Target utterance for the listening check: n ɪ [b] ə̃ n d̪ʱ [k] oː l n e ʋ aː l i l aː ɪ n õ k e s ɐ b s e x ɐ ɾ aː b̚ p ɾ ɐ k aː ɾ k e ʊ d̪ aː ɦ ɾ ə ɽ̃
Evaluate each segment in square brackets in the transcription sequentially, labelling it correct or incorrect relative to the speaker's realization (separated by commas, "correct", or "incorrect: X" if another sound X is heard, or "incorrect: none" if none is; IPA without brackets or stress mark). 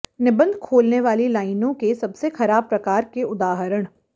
correct, incorrect: kʰ